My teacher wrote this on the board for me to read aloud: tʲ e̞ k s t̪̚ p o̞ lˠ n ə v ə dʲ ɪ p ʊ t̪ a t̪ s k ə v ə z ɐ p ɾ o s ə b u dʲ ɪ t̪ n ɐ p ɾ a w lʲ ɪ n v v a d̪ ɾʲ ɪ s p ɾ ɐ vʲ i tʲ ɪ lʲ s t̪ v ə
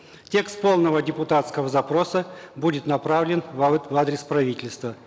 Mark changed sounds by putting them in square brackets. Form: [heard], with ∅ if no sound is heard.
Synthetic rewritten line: tʲ e̞ k s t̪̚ p o̞ lˠ n ə v ə dʲ ɪ p ʊ t̪ a t̪ s k ə v ə z ɐ p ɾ o s ə b u dʲ ɪ t̪ n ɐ p ɾ a [v] lʲ ɪ n v v a d̪ ɾʲ ɪ s p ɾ ɐ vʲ i tʲ ɪ lʲ s t̪ v ə